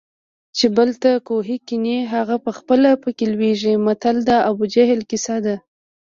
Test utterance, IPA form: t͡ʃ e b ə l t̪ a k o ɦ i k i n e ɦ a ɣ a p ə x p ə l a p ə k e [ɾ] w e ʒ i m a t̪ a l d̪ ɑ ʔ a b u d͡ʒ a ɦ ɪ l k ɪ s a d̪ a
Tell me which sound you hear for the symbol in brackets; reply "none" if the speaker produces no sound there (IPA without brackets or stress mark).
l